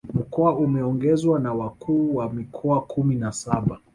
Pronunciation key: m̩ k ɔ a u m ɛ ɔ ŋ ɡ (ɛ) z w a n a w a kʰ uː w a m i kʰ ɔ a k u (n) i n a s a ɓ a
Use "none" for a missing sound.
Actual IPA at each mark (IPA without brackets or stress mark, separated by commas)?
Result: ɛ, m